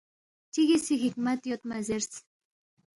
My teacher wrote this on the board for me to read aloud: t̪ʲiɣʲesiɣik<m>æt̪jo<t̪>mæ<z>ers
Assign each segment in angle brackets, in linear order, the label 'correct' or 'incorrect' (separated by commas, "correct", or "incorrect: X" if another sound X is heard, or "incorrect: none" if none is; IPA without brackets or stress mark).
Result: correct, correct, correct